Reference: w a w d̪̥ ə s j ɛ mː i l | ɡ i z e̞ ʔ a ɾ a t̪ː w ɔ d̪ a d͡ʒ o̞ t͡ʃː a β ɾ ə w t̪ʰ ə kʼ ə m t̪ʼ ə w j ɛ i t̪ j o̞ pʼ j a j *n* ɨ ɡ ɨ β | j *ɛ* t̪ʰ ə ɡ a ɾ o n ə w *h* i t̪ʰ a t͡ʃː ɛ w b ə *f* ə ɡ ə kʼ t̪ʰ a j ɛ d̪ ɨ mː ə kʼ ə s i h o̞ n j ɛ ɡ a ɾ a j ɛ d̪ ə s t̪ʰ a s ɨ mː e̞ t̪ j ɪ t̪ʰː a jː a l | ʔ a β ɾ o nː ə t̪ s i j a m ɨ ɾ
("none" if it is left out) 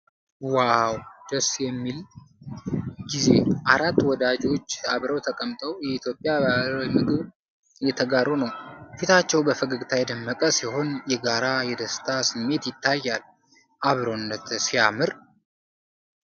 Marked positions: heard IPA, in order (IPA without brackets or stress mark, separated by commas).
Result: m, ɛ, f, f